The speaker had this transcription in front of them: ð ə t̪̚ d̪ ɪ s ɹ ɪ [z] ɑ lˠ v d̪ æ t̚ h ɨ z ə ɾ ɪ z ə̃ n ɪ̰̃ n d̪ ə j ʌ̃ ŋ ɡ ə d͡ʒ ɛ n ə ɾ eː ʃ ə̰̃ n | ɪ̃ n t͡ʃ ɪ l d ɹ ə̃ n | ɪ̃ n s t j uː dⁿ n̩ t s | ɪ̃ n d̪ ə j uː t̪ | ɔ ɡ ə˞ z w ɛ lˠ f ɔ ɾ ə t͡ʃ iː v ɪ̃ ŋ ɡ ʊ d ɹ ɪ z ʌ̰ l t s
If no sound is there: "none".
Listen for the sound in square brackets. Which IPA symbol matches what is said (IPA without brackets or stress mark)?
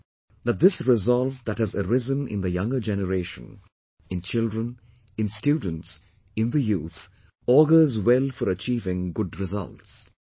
z